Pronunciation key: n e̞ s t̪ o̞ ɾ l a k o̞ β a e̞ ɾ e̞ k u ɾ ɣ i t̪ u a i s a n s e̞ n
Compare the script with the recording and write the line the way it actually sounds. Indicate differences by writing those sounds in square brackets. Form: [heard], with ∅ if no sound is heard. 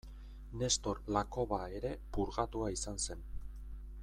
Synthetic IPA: n e̞ s t̪ o̞ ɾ l a k o̞ β a e̞ ɾ e̞ [p] u ɾ ɣ [a] t̪ u a i s a n s e̞ n

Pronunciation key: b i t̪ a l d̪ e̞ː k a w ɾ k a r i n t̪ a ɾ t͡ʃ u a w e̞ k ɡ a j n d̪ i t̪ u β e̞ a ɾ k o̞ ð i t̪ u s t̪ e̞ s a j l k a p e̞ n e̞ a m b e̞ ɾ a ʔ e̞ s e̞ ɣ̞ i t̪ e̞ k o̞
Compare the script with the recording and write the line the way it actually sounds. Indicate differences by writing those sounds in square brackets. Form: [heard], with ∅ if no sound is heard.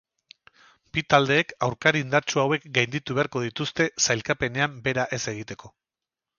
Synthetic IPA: b i t̪ a l d̪ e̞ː k a w ɾ k a [ɾ] i n [d̪] a ɾ t͡ʃ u a w e̞ k ɡ a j n d̪ i t̪ u β e̞ a ɾ k o̞ ð i t̪ u s t̪ e̞ s a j l k a p e̞ n e̞ a m b e̞ ɾ a ʔ e̞ s e̞ ɣ̞ i t̪ e̞ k o̞

